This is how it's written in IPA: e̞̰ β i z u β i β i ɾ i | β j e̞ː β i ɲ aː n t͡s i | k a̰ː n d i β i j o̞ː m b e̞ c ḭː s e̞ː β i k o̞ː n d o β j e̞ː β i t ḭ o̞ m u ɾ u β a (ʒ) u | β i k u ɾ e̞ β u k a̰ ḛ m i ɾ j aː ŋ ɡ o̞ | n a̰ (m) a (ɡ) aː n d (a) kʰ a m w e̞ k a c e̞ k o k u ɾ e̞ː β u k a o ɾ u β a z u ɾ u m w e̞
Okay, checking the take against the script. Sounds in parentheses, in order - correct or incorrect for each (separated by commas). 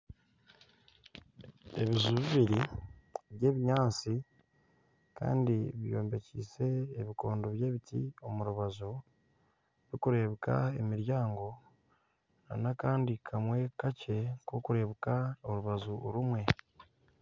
incorrect, incorrect, incorrect, incorrect